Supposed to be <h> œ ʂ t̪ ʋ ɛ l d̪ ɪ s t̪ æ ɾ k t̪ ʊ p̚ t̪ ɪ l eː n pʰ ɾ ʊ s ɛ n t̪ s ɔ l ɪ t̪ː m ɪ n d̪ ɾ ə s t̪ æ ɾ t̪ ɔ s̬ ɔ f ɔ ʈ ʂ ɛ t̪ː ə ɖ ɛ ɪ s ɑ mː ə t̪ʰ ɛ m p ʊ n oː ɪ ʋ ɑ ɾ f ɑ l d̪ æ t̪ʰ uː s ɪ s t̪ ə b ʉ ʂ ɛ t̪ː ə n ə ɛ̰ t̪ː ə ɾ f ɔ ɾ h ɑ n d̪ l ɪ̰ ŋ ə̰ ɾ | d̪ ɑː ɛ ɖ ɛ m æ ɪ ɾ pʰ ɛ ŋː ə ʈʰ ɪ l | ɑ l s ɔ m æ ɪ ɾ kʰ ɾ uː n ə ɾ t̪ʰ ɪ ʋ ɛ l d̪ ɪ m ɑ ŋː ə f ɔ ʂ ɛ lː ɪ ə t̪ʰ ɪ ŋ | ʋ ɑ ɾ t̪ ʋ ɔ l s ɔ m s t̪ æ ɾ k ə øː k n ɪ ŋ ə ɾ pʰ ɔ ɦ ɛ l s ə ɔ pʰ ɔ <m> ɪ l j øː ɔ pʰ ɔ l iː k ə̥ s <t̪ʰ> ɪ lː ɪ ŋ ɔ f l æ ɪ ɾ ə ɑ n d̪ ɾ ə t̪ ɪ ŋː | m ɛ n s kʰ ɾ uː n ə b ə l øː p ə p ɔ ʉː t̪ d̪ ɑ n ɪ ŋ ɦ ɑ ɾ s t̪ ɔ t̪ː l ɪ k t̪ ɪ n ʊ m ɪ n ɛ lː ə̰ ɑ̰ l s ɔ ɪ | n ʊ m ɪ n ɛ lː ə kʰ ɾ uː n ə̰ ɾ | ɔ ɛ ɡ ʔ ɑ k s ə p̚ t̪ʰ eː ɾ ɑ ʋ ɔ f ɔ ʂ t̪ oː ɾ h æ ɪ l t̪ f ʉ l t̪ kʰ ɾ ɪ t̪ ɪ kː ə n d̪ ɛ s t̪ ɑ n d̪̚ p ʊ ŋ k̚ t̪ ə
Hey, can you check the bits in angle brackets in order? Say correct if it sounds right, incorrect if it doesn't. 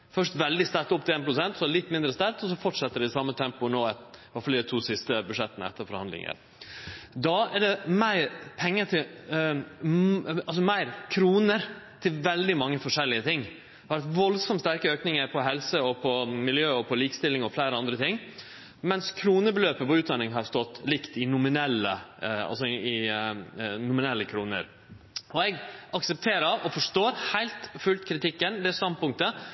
incorrect: f, correct, incorrect: t̪

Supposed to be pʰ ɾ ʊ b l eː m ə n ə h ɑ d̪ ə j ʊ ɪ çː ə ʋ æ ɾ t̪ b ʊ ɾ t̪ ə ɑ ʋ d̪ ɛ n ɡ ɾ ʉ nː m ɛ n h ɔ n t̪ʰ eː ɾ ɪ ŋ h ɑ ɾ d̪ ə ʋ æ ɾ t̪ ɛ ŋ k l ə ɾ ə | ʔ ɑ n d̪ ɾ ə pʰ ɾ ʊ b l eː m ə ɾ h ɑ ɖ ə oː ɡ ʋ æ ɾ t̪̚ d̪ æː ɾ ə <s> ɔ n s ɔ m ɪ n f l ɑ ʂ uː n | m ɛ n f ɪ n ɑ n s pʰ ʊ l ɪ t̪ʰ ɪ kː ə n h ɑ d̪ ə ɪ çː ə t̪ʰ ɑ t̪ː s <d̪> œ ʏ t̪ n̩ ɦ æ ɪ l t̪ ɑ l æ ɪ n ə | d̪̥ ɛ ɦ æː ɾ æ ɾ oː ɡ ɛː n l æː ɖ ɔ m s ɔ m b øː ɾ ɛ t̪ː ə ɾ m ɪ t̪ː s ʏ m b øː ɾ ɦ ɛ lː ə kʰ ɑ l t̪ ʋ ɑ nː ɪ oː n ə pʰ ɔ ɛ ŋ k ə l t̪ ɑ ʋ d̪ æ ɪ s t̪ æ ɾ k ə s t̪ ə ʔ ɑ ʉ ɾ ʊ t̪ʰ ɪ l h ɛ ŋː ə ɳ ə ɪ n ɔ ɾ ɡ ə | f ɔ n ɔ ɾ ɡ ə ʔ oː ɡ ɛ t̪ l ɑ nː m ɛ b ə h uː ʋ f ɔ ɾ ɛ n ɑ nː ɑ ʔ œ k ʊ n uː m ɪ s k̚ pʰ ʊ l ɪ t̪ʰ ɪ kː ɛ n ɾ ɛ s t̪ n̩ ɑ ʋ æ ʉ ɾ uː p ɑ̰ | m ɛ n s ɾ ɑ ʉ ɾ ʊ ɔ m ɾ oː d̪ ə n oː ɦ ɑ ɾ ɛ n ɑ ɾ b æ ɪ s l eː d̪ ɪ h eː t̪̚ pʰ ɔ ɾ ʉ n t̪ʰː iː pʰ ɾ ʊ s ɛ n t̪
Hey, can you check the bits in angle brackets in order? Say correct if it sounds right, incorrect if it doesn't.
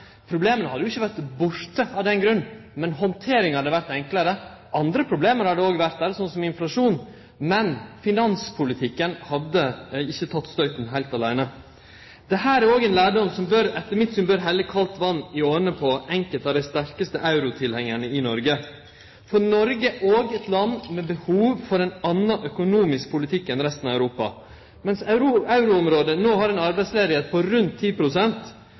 correct, incorrect: t̪

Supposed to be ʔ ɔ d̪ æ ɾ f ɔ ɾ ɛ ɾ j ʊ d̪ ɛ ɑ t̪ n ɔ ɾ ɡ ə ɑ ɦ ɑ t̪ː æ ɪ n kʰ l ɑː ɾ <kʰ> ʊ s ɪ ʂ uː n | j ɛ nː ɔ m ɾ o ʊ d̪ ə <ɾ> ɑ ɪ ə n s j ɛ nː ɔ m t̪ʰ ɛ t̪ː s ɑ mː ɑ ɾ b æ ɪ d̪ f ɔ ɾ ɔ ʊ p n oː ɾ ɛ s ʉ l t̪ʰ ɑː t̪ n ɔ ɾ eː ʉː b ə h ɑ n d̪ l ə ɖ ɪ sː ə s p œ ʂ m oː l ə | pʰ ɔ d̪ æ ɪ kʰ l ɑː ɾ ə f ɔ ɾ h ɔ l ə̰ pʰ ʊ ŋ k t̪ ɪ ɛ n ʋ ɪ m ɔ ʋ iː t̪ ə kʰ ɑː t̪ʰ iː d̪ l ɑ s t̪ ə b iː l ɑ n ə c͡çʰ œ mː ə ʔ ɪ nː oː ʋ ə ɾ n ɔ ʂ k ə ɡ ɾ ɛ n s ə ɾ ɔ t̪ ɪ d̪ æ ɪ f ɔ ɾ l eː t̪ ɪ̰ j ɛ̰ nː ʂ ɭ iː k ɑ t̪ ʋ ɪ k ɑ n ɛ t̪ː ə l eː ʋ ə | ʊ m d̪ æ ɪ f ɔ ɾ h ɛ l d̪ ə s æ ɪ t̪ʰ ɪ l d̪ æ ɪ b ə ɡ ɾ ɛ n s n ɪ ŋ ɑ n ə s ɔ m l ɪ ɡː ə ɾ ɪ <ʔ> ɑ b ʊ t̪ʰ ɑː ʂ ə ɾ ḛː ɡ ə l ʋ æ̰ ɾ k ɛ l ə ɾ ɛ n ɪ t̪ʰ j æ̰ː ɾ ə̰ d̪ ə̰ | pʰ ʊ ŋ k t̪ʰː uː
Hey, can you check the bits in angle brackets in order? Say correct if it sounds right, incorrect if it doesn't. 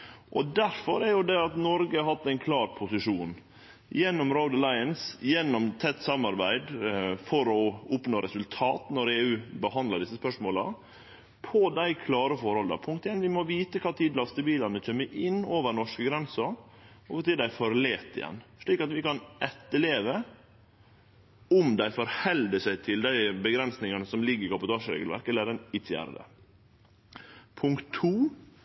incorrect: pʰ, incorrect: l, incorrect: k

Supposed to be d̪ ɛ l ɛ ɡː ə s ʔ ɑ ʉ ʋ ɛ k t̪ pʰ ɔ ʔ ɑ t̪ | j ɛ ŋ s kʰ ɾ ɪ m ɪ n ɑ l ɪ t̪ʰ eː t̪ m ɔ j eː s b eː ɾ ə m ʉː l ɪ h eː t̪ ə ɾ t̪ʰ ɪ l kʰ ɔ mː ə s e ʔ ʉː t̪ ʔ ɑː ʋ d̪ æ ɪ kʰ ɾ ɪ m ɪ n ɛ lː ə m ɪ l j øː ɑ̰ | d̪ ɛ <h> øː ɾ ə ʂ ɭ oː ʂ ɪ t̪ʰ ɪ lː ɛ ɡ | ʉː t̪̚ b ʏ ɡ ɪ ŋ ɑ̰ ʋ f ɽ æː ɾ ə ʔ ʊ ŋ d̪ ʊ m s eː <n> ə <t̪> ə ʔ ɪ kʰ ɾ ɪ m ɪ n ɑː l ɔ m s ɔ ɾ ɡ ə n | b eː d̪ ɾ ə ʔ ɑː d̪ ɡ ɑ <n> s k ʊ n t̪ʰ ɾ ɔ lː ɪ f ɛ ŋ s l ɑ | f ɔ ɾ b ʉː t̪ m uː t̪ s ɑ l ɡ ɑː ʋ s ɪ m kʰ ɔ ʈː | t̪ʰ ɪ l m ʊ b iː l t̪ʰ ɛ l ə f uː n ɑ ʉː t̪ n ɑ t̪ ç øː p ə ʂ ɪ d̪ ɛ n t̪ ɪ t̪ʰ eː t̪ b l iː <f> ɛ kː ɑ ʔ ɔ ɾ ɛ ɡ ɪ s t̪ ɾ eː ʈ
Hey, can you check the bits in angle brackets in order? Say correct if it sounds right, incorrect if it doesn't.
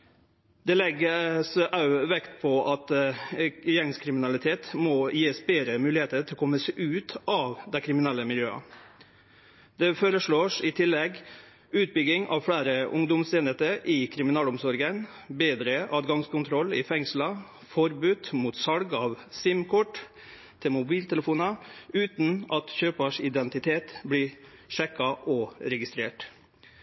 incorrect: f, correct, correct, incorrect: ŋ, incorrect: ʂ

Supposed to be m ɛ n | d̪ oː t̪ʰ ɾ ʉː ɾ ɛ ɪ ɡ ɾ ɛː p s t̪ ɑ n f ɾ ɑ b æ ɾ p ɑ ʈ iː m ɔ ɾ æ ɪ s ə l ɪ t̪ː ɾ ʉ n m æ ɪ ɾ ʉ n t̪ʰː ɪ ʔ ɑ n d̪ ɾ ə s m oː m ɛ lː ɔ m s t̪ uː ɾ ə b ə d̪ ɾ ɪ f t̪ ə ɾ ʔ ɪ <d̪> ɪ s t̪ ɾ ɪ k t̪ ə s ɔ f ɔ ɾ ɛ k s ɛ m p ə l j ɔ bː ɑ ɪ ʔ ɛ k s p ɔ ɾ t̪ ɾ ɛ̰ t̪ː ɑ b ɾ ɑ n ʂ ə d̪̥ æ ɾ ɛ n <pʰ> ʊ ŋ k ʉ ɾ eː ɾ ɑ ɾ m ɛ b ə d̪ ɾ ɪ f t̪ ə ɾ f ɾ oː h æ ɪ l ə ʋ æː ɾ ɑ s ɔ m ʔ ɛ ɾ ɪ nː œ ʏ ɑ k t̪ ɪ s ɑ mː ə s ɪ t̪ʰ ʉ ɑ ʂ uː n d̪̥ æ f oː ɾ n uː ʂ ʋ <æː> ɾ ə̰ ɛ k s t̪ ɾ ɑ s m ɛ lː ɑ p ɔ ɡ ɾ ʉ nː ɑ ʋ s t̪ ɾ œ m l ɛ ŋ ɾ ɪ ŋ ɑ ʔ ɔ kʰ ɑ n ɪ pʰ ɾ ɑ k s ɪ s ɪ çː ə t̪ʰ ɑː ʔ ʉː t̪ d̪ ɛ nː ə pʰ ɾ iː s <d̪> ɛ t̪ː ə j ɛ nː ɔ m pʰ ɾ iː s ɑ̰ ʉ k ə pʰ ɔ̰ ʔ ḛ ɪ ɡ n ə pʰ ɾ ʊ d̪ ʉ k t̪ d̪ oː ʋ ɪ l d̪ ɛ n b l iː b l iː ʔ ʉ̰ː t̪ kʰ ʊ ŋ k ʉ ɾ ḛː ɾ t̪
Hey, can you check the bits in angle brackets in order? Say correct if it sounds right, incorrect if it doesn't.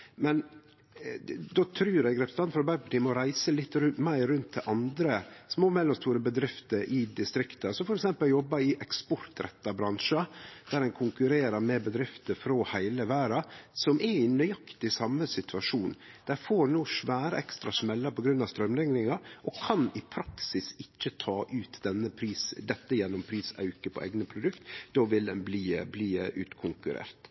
correct, incorrect: kʰ, correct, correct

